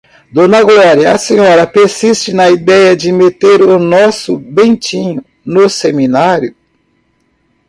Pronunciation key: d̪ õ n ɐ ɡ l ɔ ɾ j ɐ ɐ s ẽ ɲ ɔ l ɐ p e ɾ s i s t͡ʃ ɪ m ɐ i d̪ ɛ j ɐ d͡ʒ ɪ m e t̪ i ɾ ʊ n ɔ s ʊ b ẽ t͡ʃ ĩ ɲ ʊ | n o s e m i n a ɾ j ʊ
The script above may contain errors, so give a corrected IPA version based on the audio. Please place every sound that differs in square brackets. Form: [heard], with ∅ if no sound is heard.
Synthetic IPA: d̪ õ n ɐ ɡ l ɔ ɾ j ɐ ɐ s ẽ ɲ ɔ [ɾ] ɐ p e ɾ s i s t͡ʃ ɪ [n] ɐ i d̪ ɛ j ɐ d͡ʒ ɪ m e t̪ [e] ɾ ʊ n ɔ s ʊ b ẽ t͡ʃ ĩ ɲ ʊ | n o s e m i n a ɾ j ʊ